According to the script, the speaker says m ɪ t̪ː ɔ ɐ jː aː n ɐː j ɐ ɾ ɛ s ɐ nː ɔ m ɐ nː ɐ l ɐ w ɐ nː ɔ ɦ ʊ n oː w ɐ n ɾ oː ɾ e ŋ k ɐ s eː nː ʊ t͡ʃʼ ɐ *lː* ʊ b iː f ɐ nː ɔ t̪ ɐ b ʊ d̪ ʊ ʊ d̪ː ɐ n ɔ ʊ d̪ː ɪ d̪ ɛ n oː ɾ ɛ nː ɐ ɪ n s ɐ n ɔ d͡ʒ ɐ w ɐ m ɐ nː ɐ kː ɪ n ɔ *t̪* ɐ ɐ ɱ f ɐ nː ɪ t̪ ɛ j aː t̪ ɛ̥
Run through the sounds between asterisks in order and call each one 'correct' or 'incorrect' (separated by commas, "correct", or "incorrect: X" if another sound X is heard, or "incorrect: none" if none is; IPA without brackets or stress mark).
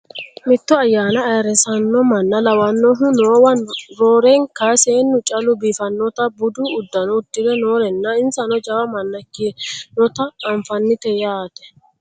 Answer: incorrect: l, correct